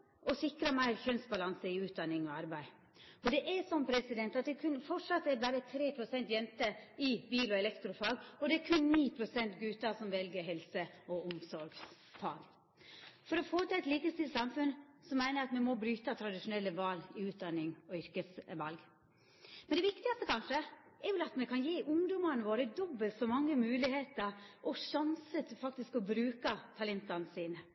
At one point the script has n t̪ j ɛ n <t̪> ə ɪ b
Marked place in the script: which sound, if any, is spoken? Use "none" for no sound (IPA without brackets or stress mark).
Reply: t̪